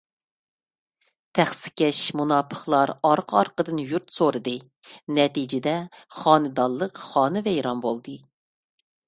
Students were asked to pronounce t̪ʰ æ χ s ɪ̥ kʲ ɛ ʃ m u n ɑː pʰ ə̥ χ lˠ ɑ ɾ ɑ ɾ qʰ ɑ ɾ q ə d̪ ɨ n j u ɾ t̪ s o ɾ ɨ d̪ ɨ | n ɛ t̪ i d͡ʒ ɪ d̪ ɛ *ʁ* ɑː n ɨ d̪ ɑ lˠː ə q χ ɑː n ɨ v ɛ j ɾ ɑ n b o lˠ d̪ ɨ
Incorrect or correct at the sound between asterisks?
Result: incorrect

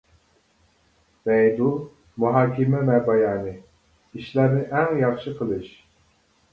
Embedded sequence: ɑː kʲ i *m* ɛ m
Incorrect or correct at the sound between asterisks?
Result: correct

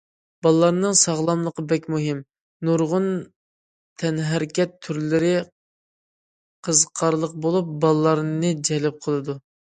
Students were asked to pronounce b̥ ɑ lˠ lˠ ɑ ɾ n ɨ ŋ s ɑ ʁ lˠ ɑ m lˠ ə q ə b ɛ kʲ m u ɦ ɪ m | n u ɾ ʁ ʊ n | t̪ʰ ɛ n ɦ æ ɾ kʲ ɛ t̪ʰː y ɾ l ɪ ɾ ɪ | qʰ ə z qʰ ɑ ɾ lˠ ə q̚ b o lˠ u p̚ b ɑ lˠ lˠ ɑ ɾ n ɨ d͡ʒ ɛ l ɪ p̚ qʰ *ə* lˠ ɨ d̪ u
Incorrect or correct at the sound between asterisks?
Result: correct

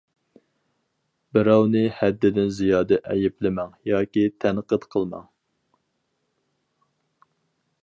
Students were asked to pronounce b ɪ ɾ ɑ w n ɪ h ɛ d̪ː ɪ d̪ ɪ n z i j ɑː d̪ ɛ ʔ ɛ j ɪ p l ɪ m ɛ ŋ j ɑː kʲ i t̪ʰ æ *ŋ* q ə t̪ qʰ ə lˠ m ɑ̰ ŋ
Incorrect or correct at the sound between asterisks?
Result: incorrect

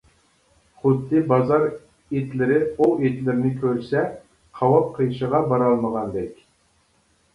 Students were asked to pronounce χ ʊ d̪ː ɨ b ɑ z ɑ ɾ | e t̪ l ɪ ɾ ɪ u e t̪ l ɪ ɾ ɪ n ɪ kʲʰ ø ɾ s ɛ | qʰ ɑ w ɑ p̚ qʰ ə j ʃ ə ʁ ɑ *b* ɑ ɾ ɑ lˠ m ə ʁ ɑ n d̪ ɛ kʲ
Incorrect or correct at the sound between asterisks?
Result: correct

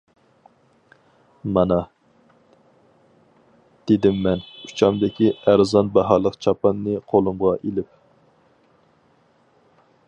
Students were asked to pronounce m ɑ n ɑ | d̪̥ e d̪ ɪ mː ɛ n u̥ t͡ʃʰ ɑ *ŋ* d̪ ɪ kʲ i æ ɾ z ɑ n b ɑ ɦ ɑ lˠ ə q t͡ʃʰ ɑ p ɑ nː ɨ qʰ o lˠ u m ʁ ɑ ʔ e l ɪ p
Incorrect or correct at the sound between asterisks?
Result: incorrect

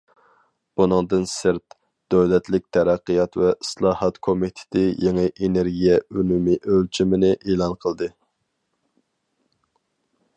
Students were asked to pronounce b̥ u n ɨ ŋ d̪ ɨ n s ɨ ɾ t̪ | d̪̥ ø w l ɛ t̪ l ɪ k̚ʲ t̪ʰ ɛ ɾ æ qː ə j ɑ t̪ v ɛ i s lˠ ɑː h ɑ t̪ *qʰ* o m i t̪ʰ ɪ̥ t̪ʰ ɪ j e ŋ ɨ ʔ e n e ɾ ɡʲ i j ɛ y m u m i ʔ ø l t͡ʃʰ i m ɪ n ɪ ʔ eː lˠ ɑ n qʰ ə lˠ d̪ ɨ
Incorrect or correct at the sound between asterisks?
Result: incorrect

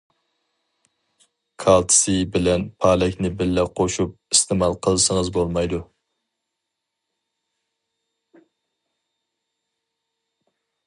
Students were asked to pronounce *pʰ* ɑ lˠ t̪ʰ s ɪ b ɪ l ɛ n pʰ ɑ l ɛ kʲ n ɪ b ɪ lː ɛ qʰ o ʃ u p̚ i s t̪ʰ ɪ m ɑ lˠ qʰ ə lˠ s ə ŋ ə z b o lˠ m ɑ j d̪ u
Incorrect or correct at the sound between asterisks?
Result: incorrect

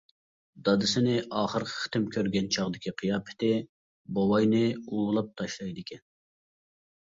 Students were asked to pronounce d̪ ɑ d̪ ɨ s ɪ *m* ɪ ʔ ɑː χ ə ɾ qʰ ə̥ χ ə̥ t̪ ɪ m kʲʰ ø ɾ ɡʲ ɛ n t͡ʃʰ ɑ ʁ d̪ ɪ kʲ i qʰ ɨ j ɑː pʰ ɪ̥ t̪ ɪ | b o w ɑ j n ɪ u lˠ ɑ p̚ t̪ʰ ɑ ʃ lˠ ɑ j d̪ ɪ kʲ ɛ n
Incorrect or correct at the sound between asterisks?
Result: incorrect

